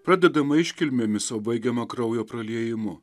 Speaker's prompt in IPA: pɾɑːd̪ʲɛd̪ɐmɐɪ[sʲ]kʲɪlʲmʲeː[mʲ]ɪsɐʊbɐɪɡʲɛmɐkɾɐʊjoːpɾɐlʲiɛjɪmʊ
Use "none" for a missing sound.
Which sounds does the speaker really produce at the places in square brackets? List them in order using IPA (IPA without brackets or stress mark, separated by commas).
ʃʲ, mʲ